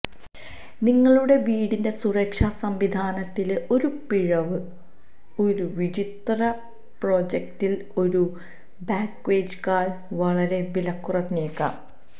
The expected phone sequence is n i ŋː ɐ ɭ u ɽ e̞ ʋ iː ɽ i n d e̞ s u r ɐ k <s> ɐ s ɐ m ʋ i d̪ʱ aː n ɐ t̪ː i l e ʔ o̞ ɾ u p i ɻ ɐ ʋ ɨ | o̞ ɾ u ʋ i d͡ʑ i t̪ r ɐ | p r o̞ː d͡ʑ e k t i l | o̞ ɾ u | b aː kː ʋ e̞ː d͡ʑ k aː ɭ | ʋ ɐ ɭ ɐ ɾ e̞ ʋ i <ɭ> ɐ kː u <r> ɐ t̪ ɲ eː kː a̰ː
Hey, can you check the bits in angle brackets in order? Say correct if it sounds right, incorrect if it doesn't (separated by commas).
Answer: incorrect, incorrect, correct